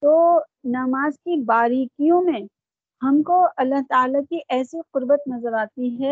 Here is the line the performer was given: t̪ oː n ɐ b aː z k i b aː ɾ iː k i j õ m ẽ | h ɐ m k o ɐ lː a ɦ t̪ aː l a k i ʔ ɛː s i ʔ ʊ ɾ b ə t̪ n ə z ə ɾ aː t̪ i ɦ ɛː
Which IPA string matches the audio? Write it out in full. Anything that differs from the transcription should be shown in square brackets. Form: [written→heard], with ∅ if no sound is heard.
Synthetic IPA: t̪ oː n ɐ [b→m] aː z k i b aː ɾ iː k i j õ m ẽ | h ɐ m k o ɐ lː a ɦ t̪ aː l a k i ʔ ɛː s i [ʔ→q] ʊ ɾ b ə t̪ n [ə→ɐ] z ə ɾ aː t̪ i ɦ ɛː